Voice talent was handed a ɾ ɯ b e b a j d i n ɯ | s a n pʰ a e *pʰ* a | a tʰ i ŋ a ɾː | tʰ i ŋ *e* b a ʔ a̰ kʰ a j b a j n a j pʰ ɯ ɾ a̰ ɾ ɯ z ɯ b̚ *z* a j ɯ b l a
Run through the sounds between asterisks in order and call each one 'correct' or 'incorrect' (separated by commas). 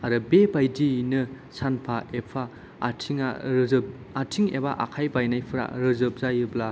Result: correct, correct, correct